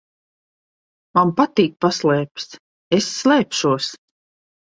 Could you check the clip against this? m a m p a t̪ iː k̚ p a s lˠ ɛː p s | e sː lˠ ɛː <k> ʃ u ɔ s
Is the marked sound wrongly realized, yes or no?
yes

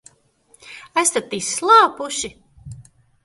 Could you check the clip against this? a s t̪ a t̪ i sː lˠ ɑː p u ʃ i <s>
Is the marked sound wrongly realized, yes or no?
yes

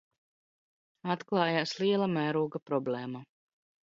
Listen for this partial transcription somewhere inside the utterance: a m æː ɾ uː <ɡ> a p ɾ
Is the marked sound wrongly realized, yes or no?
no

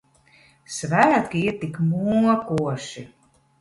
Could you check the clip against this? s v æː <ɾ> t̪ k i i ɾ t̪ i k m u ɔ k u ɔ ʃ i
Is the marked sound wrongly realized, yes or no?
yes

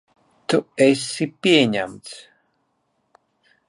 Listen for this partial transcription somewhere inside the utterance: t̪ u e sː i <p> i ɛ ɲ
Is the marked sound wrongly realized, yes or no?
no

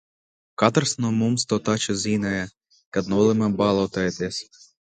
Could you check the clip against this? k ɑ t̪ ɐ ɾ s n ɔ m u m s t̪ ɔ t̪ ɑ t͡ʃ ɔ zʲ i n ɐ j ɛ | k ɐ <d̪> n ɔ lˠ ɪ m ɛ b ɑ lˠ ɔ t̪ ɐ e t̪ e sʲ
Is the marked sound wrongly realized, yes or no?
no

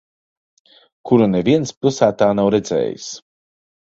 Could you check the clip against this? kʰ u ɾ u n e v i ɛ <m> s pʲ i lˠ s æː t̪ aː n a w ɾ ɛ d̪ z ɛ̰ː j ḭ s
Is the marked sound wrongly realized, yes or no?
yes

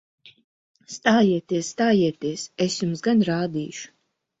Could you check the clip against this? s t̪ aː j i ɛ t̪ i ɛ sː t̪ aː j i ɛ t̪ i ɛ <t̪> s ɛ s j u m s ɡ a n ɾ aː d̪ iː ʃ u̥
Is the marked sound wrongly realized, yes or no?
yes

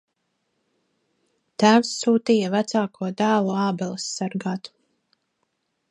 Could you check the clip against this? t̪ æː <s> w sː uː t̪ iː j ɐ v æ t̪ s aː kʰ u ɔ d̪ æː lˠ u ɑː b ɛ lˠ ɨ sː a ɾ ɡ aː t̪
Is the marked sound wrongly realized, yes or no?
yes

